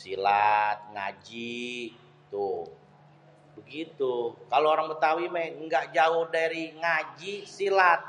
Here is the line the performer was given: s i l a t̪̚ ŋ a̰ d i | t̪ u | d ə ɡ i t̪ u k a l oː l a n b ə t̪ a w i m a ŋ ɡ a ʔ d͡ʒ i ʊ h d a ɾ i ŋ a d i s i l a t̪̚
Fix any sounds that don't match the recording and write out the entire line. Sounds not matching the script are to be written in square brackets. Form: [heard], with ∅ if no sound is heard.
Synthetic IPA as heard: s i l a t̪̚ ŋ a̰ [d͡ʒ] i | t̪ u | [b] ə ɡ i t̪ u k a l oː [ɾ] a [ŋ] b ə t̪ a w i m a ŋ ɡ a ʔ d͡ʒ [a] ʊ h d a ɾ i ŋ a [d͡ʒ] i s i l a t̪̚